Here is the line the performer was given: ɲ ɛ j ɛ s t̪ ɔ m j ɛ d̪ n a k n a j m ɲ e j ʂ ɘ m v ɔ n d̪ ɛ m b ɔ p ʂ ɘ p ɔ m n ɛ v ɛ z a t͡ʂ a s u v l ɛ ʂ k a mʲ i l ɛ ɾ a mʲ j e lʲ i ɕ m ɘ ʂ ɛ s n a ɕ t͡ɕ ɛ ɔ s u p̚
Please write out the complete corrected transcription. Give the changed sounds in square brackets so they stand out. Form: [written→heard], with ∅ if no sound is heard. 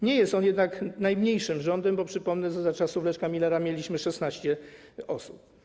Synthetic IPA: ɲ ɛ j ɛ s t̪ ɔ [m→n] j ɛ d̪ n a k n a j m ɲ e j ʂ ɘ m [v→ʐ] ɔ n d̪ ɛ m b ɔ p ʂ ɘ p ɔ m n ɛ [v→ʐ] ɛ z a t͡ʂ a s u v l ɛ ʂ k a mʲ i l ɛ ɾ a mʲ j e lʲ i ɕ m ɘ ʂ ɛ s n a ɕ t͡ɕ ɛ ɔ s u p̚

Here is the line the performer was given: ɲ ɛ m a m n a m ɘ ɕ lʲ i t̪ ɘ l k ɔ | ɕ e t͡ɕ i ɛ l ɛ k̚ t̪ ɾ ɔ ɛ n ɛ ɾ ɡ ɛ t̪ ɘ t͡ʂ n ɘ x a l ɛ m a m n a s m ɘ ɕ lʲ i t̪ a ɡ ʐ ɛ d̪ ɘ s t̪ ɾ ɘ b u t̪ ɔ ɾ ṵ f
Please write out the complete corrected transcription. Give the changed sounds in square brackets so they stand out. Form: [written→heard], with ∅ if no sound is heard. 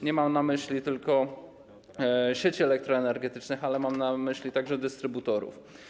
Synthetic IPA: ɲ ɛ m a m n a m ɘ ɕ lʲ i t̪ ɘ l k ɔ | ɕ e t͡ɕ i ɛ l ɛ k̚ t̪ ɾ ɔ ɛ n ɛ ɾ ɡ ɛ t̪ ɘ t͡ʂ n ɘ x a l ɛ m a m n a [s→∅] m ɘ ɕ lʲ i t̪ a ɡ ʐ ɛ d̪ ɘ s t̪ ɾ ɘ b u t̪ ɔ ɾ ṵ f

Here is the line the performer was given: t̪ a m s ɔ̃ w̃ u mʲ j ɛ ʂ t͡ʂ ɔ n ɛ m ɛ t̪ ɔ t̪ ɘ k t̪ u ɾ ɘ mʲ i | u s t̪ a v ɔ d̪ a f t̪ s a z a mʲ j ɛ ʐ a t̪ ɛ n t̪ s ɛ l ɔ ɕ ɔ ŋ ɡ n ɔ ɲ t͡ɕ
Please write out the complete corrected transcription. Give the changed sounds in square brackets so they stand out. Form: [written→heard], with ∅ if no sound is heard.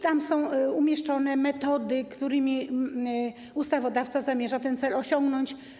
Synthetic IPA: t̪ a m s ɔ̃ w̃ u mʲ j ɛ ʂ t͡ʂ ɔ n ɛ m ɛ t̪ ɔ [t̪→d̪] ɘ k t̪ u ɾ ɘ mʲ i | u s t̪ a v ɔ d̪ a f t̪ s a z a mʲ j ɛ ʐ a t̪ ɛ n t̪ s ɛ l ɔ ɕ ɔ ŋ ɡ n ɔ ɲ t͡ɕ

